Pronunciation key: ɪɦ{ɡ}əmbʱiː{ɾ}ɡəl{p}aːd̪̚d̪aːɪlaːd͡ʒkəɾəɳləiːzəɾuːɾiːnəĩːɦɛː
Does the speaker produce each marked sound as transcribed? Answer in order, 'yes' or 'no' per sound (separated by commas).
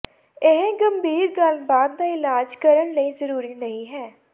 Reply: yes, yes, no